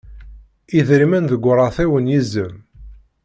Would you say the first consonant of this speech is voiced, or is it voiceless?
voiced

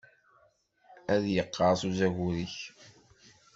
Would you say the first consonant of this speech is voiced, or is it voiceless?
voiced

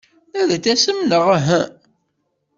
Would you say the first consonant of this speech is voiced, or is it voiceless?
voiced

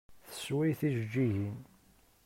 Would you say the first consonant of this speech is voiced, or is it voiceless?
voiceless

